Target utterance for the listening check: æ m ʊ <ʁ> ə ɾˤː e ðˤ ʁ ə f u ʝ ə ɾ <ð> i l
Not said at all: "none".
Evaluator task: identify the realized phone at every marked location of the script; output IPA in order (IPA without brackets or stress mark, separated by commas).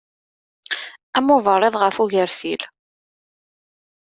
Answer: v, θ